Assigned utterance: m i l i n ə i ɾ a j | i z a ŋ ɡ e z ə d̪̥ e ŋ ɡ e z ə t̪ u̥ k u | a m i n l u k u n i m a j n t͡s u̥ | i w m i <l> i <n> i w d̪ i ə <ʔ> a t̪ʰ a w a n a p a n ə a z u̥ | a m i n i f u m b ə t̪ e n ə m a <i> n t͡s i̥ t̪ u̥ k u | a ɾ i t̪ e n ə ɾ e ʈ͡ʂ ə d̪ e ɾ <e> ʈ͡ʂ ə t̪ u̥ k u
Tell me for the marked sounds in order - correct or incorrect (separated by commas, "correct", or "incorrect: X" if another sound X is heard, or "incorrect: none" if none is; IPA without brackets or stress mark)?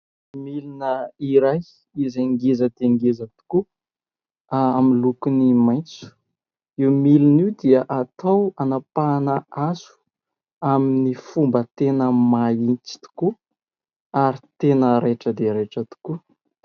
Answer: correct, correct, correct, correct, correct